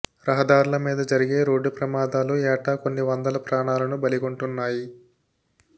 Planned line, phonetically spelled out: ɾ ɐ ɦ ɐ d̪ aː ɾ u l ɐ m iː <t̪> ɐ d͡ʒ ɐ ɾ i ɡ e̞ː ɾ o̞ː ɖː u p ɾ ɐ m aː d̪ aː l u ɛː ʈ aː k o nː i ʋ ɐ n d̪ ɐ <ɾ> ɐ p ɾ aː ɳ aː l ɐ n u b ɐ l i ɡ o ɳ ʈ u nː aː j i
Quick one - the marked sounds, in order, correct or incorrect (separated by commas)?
incorrect, incorrect